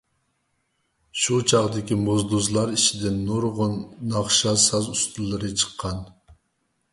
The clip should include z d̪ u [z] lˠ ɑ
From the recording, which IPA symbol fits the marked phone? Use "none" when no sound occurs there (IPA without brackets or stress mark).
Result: z